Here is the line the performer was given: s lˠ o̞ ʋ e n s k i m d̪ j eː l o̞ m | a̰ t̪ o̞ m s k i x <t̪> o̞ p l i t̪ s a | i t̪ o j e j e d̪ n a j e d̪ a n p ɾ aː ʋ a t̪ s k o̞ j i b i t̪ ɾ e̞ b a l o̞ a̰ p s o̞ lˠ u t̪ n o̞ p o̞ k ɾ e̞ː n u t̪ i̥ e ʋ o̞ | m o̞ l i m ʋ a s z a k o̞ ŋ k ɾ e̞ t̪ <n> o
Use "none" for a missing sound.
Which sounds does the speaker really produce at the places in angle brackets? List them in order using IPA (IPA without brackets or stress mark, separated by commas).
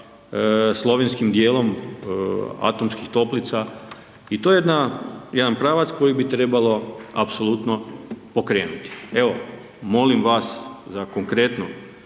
t̪, n